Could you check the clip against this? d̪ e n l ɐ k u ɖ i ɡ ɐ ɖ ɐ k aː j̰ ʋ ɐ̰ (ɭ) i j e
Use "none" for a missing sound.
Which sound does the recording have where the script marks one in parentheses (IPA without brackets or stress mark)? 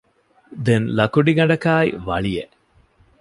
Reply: ɭ